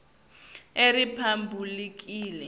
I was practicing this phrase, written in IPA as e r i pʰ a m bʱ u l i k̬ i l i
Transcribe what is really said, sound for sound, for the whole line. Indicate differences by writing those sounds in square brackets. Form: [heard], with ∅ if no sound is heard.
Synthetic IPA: e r i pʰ a m bʱ u l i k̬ [iː] l [ɛ]